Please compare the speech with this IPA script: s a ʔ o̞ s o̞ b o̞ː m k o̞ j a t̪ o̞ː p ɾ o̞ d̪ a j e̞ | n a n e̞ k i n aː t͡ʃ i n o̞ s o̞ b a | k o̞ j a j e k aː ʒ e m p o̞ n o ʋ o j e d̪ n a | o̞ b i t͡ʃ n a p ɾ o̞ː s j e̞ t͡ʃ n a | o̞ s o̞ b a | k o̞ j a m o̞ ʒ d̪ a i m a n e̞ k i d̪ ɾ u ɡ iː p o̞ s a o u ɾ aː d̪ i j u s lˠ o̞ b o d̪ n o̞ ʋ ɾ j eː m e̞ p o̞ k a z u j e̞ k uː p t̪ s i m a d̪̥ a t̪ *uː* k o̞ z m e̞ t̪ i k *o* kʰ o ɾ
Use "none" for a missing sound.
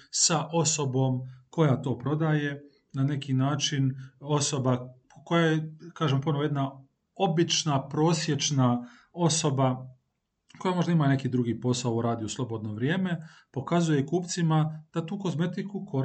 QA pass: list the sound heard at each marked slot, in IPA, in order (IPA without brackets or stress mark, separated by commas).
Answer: uː, u